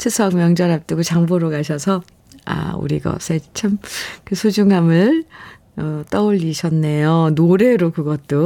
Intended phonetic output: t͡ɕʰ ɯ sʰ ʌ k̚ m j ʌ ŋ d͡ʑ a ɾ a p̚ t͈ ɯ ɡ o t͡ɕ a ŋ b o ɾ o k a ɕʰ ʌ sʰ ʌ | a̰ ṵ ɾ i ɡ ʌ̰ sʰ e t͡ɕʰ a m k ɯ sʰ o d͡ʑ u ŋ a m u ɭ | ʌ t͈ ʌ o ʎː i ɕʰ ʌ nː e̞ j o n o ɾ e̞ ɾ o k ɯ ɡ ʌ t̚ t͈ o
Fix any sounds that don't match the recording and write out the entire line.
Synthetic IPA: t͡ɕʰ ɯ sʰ ʌ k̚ m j ʌ ŋ d͡ʑ ʌ ɾ a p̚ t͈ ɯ ɡ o t͡ɕ a ŋ b o ɾ o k a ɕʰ ʌ sʰ ʌ | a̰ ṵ ɾ i ɡ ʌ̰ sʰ e t͡ɕʰ a m k ɯ sʰ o d͡ʑ u ŋ a m ɯ ɭ | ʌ t͈ ʌ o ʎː i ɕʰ ʌ nː e̞ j o n o ɾ e̞ ɾ o k ɯ ɡ ʌ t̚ t͈ o